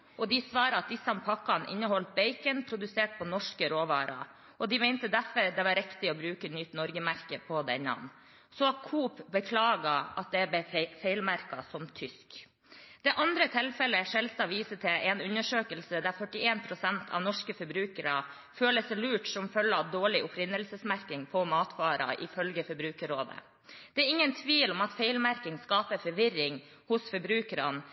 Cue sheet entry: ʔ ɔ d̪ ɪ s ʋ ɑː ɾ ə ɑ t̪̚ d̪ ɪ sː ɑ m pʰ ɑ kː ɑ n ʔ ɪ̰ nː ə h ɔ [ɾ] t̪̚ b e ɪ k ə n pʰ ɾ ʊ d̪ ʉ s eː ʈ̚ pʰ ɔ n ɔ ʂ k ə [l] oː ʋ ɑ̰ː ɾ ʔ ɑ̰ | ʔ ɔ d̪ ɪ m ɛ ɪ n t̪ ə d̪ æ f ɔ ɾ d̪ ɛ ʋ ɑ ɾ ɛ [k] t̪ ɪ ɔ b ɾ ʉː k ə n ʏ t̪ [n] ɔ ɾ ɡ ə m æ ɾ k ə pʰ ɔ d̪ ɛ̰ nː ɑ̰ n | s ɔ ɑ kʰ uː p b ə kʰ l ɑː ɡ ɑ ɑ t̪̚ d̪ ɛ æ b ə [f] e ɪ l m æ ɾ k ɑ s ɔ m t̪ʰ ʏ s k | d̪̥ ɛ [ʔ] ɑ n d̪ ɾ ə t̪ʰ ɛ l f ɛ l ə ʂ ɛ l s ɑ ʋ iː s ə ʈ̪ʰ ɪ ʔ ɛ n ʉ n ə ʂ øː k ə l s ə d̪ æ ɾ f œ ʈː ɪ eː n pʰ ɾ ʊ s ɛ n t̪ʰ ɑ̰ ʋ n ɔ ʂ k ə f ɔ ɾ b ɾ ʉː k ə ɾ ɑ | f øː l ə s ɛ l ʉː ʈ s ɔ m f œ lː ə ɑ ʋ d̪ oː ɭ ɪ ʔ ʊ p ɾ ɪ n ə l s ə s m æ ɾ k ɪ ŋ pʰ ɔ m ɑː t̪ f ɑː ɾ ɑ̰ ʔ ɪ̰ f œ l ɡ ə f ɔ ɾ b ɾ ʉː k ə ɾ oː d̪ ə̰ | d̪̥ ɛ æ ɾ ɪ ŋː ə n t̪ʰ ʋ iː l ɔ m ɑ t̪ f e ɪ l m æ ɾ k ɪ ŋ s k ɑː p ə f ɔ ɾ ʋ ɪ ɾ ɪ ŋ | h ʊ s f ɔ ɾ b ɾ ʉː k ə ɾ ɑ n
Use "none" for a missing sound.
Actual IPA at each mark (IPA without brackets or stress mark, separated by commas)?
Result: l, ɾ, k, n, f, ʔ